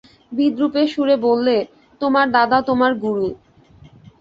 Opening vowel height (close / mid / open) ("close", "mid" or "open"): close